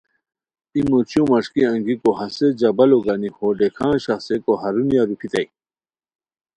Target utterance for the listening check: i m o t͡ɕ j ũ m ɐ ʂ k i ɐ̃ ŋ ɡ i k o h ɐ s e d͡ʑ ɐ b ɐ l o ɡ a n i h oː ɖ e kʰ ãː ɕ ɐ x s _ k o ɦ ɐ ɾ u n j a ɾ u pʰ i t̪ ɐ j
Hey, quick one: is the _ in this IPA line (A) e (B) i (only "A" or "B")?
A